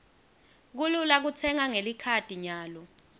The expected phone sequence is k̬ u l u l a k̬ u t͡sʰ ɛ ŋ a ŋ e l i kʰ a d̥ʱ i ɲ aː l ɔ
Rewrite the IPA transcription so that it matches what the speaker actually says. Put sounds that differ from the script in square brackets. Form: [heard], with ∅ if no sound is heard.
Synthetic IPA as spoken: k̬ u l u l a k̬ u t͡sʰ ɛ ŋ a ŋ e l i kʰ a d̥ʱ i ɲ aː l ɔ